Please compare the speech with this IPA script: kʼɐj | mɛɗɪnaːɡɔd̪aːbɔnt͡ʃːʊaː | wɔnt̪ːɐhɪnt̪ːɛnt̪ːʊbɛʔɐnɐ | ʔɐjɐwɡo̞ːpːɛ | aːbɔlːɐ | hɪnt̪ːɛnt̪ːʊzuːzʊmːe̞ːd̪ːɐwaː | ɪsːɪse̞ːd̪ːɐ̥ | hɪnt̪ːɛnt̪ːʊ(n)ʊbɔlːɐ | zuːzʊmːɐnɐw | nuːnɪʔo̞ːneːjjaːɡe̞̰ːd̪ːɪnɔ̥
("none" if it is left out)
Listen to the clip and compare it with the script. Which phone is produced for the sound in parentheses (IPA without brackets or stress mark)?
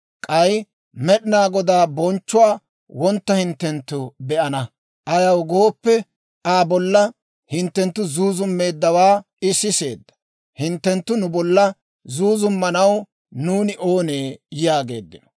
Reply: n